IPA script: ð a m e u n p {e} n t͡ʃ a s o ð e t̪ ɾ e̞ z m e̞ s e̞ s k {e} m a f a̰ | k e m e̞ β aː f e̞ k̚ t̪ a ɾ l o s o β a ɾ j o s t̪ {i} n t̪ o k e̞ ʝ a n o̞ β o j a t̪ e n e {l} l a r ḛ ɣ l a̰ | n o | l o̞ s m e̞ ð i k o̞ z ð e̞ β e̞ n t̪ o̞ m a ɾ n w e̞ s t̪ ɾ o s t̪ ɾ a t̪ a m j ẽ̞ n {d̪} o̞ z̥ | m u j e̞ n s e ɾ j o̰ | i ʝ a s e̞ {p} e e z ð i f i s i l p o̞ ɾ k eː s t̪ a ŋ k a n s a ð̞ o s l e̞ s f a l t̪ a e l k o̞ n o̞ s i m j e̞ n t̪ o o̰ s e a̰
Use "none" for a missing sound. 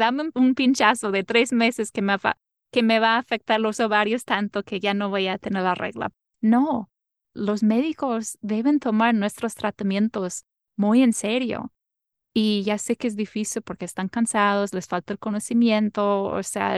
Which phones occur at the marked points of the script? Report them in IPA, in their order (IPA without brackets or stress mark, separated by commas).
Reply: i, e, a, ɾ, t̪, k